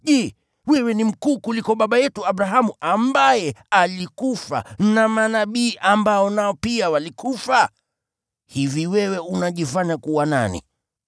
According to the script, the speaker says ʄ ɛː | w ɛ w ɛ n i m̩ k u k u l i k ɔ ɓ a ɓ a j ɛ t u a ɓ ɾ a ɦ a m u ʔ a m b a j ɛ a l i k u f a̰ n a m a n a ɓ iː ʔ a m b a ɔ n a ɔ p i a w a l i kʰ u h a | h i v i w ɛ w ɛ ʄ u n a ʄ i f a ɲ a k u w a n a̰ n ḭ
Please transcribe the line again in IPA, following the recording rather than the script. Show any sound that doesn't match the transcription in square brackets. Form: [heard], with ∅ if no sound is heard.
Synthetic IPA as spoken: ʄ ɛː | w ɛ w ɛ n i m̩ k [uː] k u l i k ɔ ɓ a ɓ a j ɛ t u a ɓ ɾ a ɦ a m u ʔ a m b a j ɛ a l i k u f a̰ n a m a n a ɓ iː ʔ a m b a ɔ n a ɔ p i a w a l i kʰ u [f] a | h i v i w ɛ w ɛ [∅] u n a ʄ i f a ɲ a k u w a n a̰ n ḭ